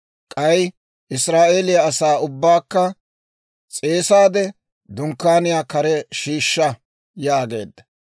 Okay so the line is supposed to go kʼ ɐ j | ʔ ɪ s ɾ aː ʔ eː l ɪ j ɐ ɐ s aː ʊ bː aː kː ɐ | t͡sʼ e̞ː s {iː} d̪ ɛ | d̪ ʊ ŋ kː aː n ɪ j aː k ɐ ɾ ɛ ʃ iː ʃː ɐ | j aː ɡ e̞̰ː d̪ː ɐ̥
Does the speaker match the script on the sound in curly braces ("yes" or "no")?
no